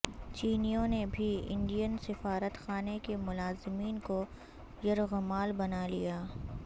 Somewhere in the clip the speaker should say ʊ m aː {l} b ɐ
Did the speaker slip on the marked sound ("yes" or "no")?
no